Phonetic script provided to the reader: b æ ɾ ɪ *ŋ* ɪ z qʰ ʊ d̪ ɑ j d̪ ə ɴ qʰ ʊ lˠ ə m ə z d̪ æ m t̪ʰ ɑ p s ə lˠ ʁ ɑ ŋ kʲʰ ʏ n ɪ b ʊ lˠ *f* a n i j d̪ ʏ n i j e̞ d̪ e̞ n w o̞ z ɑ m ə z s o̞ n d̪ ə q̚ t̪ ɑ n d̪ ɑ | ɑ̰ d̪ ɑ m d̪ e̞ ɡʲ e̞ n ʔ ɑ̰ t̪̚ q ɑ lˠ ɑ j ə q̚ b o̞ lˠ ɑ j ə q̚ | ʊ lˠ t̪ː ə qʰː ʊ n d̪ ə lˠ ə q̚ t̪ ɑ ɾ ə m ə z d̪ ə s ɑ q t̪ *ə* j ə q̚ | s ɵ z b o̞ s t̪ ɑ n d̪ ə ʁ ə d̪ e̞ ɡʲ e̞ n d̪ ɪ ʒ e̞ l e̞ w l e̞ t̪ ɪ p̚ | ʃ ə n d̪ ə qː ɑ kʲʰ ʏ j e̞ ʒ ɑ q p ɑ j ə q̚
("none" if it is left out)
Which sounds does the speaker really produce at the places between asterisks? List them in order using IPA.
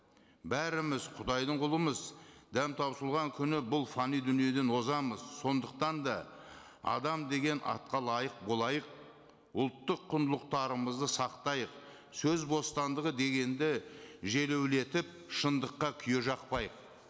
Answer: m, f, ɑ

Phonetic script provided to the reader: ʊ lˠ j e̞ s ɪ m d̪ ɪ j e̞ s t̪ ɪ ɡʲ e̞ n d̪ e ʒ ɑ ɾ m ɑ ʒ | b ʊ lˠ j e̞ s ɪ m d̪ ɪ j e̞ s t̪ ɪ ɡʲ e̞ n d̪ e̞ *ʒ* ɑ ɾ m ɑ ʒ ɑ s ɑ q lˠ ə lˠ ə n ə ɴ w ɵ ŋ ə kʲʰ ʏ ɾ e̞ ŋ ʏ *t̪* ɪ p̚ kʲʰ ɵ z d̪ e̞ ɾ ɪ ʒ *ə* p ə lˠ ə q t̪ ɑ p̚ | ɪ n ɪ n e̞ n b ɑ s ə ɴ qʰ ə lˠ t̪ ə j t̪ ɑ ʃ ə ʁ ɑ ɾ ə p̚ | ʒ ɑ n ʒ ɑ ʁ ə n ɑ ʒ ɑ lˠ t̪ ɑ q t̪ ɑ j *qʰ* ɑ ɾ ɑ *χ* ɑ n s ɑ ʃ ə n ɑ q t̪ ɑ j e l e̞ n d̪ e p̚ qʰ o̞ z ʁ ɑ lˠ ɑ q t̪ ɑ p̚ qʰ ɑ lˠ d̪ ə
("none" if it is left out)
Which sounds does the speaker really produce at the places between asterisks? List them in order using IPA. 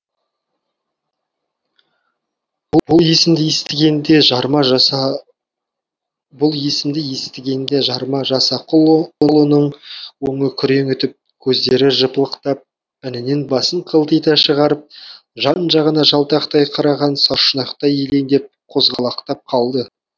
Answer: ʒ, t̪, ə, qʰ, ʁ

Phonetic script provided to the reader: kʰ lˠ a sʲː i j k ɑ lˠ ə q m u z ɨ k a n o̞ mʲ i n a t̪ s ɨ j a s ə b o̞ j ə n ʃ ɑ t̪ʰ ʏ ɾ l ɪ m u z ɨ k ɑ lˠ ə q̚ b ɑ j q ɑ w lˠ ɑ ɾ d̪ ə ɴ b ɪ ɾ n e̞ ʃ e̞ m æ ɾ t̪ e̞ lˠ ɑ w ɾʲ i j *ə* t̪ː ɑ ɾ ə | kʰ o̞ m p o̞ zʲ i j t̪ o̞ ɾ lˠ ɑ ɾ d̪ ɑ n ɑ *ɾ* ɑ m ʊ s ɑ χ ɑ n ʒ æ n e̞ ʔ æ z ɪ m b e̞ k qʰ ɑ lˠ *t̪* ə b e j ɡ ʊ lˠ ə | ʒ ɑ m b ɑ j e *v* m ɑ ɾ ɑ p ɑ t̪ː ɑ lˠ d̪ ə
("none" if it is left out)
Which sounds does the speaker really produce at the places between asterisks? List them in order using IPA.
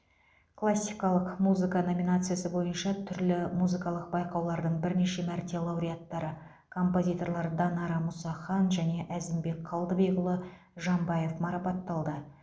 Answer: a, ɾ, d̪, f

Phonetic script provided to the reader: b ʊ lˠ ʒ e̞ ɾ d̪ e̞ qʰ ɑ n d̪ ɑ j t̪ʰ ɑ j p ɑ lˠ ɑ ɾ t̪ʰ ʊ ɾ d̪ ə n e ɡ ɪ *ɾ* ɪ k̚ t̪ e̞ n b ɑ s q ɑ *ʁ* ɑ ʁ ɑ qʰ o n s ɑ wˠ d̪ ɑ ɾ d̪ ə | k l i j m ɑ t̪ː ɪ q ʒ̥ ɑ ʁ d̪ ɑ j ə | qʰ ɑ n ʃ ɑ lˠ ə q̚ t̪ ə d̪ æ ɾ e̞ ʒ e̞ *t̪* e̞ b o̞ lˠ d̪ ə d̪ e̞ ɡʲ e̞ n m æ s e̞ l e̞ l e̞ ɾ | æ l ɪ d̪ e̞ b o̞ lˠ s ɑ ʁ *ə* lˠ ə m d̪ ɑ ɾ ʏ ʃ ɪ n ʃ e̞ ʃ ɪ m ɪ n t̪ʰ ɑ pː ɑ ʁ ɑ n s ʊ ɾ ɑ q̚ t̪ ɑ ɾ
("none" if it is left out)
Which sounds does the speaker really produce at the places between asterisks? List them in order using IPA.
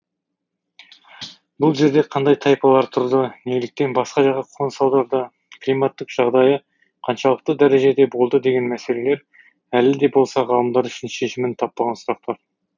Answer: l, ʒ, d̪, ɑ

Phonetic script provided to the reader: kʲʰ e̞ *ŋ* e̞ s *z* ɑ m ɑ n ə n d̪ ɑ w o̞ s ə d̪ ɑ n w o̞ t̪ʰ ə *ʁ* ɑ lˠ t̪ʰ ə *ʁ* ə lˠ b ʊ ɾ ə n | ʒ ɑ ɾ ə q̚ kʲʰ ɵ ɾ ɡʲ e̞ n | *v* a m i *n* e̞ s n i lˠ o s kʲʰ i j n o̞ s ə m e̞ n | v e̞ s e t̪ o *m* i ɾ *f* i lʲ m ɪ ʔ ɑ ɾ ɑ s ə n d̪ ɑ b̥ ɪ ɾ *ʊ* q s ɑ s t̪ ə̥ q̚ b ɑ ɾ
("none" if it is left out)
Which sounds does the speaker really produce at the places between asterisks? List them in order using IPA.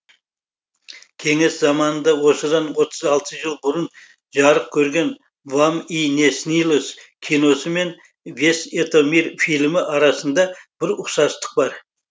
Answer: ŋ, z, z, ʒ, v, n, m, f, ʊ

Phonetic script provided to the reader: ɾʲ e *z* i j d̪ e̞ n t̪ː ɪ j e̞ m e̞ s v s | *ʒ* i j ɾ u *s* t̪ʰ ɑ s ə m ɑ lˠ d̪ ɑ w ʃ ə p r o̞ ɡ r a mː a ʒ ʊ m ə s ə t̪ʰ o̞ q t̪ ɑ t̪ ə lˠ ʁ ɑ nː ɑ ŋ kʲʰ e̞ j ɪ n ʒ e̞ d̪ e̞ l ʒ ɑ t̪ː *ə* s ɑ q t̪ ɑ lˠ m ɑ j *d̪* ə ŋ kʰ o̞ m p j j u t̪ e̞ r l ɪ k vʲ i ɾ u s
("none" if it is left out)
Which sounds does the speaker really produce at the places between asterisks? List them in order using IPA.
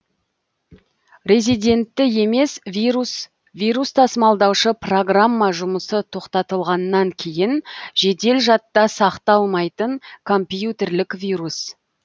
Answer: z, v, s, ɑ, t̪

